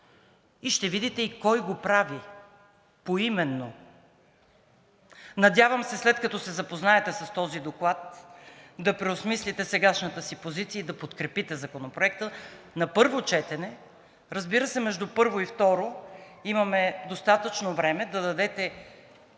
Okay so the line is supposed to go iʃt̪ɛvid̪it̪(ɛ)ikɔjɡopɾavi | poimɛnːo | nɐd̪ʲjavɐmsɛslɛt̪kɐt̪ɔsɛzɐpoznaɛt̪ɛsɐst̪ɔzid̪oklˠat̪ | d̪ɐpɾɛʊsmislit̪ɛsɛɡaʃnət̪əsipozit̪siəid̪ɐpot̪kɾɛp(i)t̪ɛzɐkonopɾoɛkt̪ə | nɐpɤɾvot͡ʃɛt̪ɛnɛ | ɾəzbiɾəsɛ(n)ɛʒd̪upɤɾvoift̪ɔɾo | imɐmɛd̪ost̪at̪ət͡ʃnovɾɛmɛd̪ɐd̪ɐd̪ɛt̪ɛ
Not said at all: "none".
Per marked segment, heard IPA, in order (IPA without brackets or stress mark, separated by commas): ɛ, i, m